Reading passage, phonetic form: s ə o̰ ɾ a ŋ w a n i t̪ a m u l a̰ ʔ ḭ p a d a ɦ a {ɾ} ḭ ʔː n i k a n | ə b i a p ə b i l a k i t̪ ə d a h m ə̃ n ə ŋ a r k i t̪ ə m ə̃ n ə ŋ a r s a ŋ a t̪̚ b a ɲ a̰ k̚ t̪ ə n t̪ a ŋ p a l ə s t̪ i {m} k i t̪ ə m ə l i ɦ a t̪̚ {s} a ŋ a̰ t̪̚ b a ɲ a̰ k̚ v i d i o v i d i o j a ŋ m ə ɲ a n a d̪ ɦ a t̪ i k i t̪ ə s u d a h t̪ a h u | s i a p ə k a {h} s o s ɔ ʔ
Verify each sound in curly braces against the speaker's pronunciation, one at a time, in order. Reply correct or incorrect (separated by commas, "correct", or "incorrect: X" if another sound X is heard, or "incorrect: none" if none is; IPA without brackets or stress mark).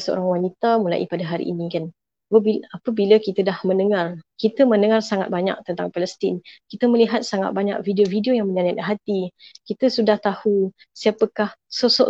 correct, incorrect: n, correct, correct